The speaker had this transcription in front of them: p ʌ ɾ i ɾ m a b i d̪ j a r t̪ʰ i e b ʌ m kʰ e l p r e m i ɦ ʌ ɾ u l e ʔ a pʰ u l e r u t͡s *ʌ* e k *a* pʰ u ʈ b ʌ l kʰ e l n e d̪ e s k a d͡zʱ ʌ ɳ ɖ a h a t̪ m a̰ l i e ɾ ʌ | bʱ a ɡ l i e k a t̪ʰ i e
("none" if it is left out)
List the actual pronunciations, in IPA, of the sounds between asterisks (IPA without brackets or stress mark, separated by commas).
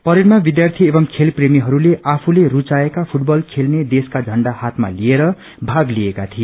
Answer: a, a